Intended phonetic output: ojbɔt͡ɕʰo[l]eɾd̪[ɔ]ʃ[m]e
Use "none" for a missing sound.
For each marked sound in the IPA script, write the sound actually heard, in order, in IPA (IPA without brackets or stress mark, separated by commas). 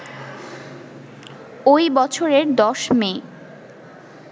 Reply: ɾ, ɔ, m